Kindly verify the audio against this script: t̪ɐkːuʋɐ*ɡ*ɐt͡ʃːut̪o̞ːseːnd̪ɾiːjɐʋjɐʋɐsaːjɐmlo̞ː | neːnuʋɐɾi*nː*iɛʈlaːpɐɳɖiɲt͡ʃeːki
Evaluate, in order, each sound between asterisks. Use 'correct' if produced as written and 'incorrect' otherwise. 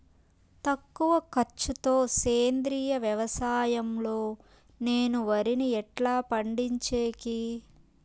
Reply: incorrect: k, incorrect: n

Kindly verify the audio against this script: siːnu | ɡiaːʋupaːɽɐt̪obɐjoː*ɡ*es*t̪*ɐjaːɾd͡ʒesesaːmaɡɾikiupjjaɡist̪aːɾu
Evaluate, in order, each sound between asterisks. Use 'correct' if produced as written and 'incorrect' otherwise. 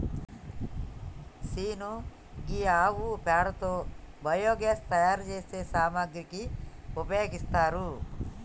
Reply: correct, correct

